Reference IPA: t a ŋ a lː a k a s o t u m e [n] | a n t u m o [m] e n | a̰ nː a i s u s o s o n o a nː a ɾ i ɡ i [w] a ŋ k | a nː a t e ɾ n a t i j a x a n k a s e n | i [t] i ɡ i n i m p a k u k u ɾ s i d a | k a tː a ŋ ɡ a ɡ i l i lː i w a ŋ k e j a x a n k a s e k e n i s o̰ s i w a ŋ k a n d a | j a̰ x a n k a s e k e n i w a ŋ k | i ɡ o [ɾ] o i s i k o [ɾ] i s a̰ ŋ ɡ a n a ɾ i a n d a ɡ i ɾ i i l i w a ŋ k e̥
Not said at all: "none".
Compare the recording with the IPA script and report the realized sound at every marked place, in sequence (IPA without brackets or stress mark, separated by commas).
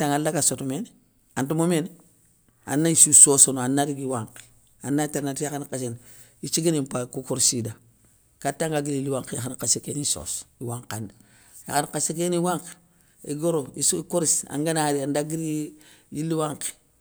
n, m, w, t͡ʃ, ɾ, ɾ